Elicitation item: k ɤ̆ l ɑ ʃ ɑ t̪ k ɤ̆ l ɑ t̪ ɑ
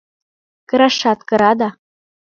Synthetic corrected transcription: k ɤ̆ ɾ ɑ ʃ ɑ t̪ k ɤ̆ ɾ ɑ d̪ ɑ